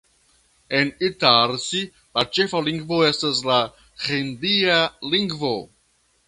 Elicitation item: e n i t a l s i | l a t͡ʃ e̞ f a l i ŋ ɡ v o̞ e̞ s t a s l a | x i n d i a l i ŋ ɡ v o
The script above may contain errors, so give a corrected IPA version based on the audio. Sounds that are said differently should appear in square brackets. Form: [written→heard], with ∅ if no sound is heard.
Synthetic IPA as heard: e n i t a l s i | l a t͡ʃ e̞ f a l i ŋ ɡ v o̞ e̞ s t a s l a | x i n d i a l i ŋ ɡ v o